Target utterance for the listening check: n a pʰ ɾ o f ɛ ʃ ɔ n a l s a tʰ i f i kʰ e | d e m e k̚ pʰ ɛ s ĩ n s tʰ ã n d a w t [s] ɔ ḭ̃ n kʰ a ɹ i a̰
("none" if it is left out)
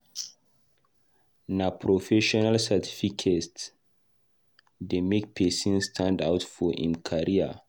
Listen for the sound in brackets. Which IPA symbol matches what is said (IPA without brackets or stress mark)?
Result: f